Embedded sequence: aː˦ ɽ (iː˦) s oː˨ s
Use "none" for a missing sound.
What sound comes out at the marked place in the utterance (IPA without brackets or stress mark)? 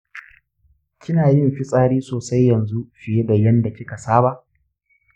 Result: iː˦